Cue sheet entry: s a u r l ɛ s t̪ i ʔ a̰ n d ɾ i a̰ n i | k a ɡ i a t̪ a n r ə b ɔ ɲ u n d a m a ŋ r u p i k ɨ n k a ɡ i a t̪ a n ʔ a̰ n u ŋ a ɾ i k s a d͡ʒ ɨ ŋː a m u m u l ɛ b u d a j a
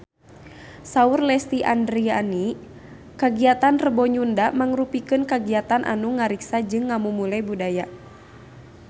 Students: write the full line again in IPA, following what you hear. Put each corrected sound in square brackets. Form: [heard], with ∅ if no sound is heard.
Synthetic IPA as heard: s a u r l ɛ s t̪ i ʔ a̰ n d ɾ i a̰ n i | k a ɡ i a t̪ a n r ə b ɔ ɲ u n d a m a ŋ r u p i k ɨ n k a ɡ i a t̪ a n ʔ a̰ n u ŋ a ɾ i k s a d͡ʒ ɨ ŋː a m u m u l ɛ b u d a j a